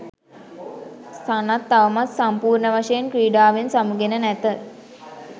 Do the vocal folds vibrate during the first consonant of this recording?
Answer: no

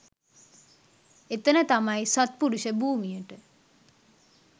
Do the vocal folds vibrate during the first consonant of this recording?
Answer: no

